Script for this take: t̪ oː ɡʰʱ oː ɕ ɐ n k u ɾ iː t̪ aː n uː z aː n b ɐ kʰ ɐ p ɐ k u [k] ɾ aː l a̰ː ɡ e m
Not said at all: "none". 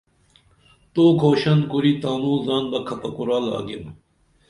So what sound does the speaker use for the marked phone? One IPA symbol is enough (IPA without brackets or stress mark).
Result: none